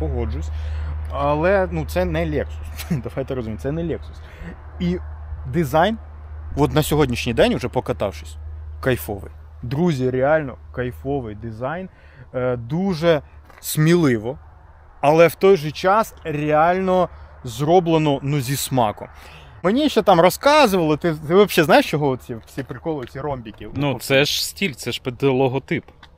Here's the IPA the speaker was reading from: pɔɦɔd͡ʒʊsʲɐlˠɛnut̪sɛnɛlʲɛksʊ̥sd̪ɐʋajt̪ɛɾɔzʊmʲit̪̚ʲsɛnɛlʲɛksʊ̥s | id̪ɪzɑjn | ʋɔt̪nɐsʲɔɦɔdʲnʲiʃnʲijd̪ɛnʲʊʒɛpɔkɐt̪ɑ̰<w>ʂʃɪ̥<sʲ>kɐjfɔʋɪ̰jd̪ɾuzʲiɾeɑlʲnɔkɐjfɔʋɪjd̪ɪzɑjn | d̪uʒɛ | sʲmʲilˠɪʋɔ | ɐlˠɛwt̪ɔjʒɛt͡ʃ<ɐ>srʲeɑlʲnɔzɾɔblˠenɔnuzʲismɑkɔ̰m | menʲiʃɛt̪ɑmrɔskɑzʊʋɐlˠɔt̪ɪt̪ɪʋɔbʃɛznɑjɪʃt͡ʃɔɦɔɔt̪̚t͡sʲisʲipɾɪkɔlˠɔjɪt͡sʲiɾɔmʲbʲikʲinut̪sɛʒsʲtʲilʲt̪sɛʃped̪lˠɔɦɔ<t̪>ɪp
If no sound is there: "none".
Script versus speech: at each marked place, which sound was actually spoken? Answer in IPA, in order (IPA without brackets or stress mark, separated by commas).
w, sʲ, ɑ, t̪